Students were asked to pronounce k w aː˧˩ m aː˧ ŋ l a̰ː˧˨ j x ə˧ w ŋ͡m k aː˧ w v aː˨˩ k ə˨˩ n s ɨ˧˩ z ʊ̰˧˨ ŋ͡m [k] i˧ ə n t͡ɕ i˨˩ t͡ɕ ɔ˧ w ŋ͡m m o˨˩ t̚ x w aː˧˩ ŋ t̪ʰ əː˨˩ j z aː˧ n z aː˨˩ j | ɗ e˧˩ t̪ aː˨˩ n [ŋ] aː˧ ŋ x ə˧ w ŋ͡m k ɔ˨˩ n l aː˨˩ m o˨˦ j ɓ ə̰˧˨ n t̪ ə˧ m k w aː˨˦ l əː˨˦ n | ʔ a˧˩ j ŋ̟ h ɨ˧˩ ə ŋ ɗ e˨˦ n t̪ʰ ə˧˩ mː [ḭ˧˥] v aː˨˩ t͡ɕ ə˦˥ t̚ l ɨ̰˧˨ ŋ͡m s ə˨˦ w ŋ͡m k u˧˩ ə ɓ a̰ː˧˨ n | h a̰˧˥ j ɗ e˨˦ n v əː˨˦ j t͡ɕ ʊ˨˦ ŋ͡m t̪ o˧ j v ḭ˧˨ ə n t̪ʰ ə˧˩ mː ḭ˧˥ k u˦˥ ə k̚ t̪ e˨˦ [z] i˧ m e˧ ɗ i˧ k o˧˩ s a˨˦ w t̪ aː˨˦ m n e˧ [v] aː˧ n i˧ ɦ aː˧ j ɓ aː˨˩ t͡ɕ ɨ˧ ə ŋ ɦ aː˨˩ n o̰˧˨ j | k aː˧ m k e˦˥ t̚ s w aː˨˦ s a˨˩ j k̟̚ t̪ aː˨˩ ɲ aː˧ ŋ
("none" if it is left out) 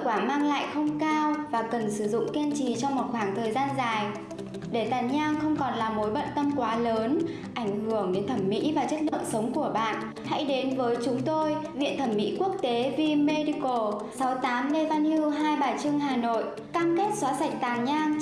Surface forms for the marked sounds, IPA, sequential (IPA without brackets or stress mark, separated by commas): k, ɲ, ḭ˧˥, v, v